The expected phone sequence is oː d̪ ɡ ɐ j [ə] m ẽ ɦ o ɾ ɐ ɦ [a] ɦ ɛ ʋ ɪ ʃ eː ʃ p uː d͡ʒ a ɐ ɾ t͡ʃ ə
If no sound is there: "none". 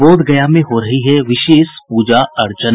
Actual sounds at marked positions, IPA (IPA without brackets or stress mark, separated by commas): a, i